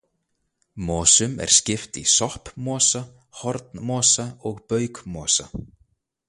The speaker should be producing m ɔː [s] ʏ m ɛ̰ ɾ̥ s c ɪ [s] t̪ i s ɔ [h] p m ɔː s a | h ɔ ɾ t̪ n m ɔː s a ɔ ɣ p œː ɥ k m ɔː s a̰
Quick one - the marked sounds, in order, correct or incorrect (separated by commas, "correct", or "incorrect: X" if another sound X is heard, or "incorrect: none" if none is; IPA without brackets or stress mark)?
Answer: correct, incorrect: f, correct